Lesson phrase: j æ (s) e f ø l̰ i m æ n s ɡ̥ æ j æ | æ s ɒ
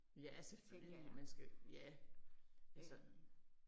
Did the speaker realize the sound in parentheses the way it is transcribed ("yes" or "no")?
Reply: yes